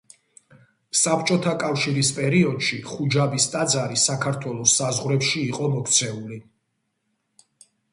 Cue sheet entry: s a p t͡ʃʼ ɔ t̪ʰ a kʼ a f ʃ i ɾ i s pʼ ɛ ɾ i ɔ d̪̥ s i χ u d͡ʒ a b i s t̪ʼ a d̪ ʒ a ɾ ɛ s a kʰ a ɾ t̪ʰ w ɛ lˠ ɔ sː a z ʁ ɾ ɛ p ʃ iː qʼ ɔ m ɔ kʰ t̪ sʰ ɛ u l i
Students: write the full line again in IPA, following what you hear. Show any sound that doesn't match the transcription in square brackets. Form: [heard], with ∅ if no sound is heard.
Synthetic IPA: s a p t͡ʃʼ ɔ t̪ʰ a kʼ a f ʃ i ɾ i s pʼ ɛ ɾ i ɔ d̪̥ [ʃ] i χ u d͡ʒ a b i s t̪ʼ a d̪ [z] a ɾ [i] s a kʰ a ɾ t̪ʰ w ɛ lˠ ɔ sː a z ʁ ɾ ɛ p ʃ iː qʼ ɔ m ɔ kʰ t̪ sʰ ɛ u l i

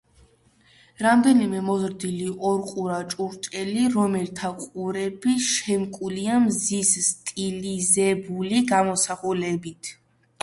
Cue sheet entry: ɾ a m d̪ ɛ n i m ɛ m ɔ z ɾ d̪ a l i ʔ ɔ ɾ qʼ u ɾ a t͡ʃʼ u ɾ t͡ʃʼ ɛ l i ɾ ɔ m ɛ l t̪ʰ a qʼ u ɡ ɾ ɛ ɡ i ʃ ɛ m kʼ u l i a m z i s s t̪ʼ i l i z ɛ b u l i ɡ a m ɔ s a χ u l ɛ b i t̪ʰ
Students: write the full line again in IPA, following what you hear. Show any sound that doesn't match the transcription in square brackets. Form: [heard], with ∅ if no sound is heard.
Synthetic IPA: ɾ a m d̪ ɛ n i m ɛ m ɔ z ɾ d̪ [i] l i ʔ ɔ ɾ qʼ u ɾ a t͡ʃʼ u ɾ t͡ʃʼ ɛ l i ɾ ɔ m ɛ l t̪ʰ a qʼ u [∅] ɾ ɛ [b] i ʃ ɛ m kʼ u l i a m z i s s t̪ʼ i l i z ɛ b u l i ɡ a m ɔ s a χ u l ɛ b i t̪ʰ

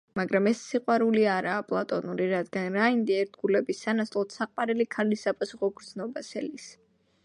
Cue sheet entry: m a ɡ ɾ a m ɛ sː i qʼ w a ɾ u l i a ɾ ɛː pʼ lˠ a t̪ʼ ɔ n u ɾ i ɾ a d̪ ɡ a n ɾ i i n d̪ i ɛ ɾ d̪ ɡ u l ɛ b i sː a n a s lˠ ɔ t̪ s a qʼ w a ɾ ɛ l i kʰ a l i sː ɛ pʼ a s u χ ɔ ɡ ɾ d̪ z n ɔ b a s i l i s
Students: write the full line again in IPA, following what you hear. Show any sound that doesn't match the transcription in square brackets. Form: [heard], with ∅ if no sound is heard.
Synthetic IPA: m a ɡ ɾ a m ɛ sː i qʼ w a ɾ u l i a ɾ [aː] pʼ lˠ a t̪ʼ ɔ n u ɾ i ɾ a d̪ ɡ a n ɾ [a] i n d̪ i ɛ ɾ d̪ ɡ u l ɛ b i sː a n a s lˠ ɔ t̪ s a qʼ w a ɾ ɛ l i kʰ a l i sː [a] pʼ a s u χ ɔ ɡ ɾ d̪ z n ɔ b a s [ɛ] l i s

